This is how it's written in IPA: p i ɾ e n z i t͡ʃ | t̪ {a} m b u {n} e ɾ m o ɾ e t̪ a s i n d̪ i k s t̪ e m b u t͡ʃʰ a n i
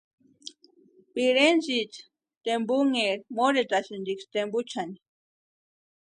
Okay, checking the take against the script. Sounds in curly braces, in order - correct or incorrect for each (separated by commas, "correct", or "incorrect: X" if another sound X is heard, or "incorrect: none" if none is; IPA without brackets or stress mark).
incorrect: e, incorrect: ŋ